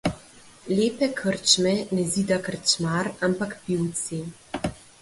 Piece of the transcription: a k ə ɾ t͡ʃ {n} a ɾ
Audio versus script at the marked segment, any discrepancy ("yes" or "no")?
yes